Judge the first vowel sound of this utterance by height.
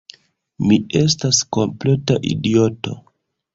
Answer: high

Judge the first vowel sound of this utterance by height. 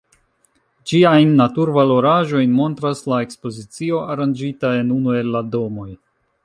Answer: high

